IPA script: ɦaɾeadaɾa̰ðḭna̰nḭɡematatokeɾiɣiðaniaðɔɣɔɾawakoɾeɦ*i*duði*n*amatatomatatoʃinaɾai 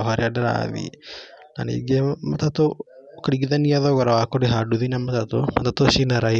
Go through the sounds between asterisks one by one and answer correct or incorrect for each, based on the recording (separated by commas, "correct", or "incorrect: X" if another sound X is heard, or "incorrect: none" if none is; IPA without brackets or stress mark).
incorrect: a, correct